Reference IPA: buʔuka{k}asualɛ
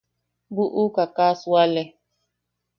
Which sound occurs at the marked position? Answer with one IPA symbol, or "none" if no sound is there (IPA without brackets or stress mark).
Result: k